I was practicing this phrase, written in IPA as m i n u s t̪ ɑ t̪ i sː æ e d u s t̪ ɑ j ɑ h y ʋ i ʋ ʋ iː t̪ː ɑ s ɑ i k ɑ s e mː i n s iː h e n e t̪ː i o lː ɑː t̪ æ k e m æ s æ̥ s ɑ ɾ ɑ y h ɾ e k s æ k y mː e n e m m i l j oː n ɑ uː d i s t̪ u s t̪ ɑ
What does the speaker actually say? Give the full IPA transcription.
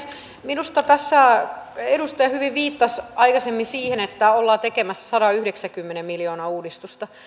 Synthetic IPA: m i n u s t̪ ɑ t̪ æ sː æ e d u s t̪ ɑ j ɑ h y ʋ i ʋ ʋ iː t̪ː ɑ s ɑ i k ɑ s e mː i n s iː h e n e t̪ː æ o lː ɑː t̪ e k e m æ sː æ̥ s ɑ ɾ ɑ y h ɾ e k s æ k y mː e n e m m i l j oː n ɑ uː d i s t̪ u s t̪ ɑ